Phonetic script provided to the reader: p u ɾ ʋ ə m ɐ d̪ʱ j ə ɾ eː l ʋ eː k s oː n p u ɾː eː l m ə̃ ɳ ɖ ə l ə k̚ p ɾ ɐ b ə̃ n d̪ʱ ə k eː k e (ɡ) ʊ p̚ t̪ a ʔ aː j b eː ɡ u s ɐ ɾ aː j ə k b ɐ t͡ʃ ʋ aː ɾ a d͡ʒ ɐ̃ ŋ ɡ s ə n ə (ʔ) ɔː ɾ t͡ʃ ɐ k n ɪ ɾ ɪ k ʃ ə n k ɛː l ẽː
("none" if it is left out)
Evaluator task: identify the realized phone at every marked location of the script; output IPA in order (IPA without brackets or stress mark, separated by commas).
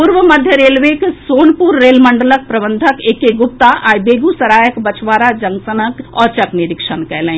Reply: ɡ, k